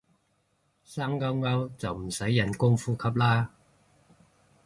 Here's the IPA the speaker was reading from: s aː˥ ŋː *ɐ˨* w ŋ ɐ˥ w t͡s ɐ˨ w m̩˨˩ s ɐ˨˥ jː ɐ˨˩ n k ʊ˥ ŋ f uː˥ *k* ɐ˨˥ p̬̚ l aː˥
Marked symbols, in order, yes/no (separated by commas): no, no